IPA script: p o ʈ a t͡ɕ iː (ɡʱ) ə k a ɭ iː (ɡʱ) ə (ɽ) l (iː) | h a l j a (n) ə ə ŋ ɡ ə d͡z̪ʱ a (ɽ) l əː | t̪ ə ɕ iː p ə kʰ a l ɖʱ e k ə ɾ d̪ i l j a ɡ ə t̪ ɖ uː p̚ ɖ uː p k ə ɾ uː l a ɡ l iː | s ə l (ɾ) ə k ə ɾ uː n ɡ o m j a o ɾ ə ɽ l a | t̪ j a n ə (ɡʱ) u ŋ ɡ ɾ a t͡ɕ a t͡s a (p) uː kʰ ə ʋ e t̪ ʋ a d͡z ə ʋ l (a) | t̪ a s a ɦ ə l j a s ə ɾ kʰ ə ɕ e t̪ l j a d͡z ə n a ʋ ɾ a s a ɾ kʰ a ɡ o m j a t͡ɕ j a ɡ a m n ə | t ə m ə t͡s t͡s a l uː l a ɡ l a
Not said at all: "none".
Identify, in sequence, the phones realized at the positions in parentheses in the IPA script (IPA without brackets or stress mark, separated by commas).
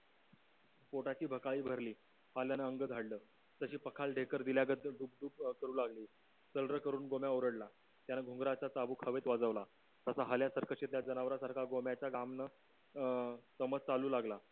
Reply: bʱ, bʱ, ɾ, iː, n, ɽ, ɾ, ɡʱ, b, a